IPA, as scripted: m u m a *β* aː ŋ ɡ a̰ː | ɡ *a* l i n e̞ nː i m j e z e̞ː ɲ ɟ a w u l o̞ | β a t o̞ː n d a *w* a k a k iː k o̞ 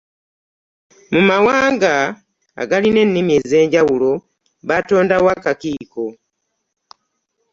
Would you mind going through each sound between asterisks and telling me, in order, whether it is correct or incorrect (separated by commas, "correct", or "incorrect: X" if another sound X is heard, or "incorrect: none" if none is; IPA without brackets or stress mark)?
incorrect: w, correct, correct